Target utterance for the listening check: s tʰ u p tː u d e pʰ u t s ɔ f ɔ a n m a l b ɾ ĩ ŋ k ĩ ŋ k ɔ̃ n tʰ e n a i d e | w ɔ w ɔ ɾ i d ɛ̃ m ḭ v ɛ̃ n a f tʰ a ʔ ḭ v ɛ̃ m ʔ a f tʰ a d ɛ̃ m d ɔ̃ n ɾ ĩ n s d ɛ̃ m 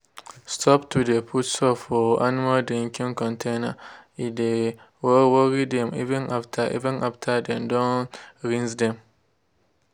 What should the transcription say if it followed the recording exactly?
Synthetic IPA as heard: s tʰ ɔ p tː u d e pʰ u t s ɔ f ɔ a n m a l d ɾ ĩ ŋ k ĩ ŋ k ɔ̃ n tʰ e n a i d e | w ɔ w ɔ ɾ i d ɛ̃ m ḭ v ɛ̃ n a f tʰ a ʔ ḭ v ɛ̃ n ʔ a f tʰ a d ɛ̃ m d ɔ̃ n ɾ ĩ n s d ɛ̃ m